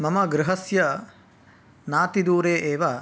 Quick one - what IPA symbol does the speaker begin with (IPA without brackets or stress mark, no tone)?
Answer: m